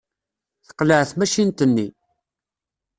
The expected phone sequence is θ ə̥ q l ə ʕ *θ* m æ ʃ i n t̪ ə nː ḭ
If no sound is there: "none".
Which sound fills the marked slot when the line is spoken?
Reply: θ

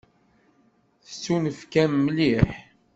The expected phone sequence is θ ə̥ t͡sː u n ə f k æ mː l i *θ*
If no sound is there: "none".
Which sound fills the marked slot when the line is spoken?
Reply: ħ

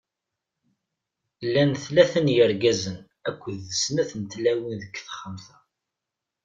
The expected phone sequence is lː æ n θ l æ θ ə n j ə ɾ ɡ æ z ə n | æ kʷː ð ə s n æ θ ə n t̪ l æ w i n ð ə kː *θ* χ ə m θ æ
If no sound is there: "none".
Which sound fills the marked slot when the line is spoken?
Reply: θ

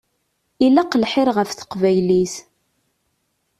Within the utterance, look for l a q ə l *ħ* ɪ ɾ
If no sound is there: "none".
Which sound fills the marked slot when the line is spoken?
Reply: ħ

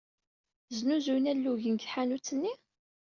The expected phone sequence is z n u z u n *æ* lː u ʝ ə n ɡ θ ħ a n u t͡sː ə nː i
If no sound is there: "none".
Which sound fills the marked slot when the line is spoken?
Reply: æ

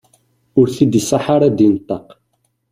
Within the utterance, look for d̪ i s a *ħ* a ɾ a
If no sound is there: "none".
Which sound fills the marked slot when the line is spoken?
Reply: ħ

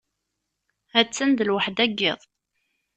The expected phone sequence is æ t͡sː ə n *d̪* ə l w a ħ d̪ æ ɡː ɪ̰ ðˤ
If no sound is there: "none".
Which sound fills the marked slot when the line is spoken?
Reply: d̪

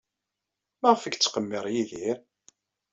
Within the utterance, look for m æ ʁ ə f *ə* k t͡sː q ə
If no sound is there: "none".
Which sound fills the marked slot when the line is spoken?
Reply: ə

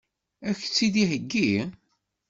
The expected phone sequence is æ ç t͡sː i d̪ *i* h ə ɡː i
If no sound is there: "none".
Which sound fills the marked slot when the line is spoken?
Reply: i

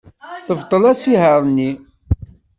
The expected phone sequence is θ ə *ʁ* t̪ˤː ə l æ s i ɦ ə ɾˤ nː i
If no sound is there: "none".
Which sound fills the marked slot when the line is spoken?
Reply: v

